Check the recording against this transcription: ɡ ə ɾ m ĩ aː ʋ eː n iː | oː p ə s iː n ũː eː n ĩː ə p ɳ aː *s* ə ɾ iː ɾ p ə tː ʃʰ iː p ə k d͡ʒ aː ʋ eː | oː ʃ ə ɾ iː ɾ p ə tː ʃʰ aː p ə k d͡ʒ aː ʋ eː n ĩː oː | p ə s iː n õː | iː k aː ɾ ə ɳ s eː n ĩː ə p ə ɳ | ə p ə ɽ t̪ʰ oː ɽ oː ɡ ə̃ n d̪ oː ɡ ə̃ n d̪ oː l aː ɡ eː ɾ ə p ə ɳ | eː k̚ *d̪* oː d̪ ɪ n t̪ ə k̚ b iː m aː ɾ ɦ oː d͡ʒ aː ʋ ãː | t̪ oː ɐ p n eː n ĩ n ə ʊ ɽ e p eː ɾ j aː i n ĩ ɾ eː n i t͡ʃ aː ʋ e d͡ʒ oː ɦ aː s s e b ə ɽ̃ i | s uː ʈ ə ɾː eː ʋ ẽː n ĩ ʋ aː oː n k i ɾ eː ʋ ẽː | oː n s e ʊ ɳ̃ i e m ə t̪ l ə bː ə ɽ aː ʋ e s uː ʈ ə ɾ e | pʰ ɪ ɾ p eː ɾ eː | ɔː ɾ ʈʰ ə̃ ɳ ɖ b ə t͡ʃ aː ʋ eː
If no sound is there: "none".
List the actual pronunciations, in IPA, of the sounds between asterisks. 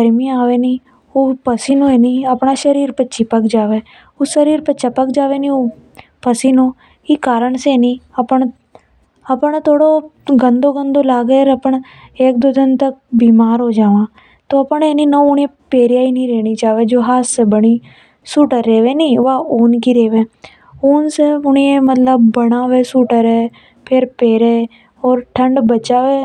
ʃ, d̪

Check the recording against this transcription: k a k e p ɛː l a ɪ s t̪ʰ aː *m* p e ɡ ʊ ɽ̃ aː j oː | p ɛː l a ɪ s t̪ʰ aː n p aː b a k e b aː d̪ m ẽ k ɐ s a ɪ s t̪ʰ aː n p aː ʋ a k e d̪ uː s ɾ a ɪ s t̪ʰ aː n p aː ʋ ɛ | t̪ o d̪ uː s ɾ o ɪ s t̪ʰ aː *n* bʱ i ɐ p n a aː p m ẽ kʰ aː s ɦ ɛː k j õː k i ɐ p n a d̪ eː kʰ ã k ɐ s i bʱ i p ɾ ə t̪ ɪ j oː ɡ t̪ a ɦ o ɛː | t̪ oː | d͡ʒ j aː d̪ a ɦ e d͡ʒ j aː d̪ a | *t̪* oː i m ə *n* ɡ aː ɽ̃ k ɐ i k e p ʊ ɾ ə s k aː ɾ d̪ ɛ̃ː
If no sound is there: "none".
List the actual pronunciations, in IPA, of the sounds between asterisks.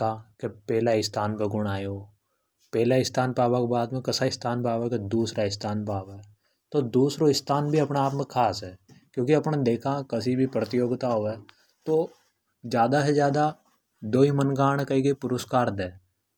n, n, d̪, n

